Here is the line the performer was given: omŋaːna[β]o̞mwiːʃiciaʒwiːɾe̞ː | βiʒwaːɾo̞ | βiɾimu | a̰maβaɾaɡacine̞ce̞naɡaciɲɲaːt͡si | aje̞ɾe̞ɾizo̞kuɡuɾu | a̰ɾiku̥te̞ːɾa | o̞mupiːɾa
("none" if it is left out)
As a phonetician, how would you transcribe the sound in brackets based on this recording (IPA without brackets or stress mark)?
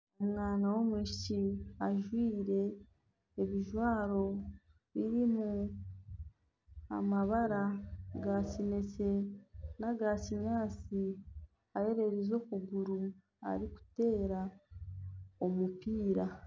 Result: w